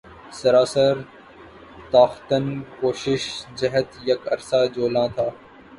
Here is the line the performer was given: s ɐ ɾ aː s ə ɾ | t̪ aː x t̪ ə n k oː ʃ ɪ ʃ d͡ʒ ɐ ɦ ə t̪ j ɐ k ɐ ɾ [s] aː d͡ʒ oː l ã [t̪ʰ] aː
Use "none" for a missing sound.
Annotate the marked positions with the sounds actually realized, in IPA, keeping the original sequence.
s, t̪ʰ

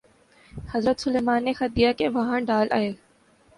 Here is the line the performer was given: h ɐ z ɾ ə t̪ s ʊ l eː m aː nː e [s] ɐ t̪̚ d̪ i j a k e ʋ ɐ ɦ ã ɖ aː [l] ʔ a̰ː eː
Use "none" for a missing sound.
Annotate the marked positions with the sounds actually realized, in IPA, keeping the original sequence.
x, l

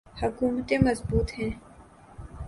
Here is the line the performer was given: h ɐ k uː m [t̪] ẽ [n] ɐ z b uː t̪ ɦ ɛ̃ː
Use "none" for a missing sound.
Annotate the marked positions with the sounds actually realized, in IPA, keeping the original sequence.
t̪, m

